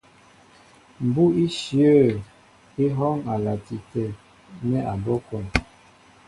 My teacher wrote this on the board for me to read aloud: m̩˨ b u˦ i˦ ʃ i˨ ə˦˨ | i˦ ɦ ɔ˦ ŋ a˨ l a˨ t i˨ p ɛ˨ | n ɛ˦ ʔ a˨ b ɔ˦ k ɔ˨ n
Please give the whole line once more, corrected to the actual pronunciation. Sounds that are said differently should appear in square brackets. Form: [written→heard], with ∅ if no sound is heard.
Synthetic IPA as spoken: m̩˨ b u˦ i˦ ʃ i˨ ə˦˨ | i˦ ɦ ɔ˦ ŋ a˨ l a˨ t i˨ [p→t] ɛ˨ | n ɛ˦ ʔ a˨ b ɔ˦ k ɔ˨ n